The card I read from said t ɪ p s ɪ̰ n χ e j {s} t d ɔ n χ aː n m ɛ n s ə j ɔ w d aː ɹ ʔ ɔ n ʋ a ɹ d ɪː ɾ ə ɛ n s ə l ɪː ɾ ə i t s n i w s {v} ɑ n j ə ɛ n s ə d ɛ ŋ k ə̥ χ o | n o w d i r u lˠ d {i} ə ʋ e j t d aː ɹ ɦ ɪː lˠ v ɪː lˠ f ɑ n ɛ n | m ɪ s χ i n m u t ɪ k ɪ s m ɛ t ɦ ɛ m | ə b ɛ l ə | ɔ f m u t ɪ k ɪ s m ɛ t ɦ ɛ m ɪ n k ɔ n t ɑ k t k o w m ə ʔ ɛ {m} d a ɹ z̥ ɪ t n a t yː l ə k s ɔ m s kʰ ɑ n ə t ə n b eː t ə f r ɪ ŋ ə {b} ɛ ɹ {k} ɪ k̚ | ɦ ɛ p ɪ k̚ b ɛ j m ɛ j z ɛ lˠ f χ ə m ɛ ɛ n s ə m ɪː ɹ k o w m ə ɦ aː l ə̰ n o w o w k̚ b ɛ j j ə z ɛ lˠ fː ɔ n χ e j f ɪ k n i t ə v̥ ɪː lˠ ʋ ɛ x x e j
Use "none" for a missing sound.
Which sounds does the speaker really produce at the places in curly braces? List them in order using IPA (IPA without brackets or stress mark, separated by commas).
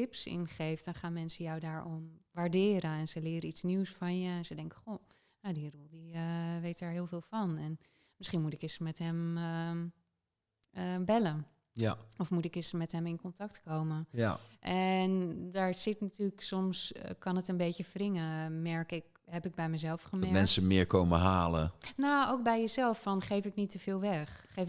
f, f, i, n, m, k